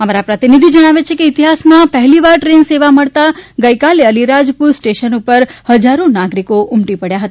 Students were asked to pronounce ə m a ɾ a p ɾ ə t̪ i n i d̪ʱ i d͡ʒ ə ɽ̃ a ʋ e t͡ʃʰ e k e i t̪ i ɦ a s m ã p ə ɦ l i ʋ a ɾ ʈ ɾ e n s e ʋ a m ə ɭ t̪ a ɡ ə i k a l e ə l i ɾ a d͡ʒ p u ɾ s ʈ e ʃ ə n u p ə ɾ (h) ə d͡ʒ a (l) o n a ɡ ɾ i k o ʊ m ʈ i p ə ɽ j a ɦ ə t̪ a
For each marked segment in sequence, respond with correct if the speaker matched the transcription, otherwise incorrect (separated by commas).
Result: correct, incorrect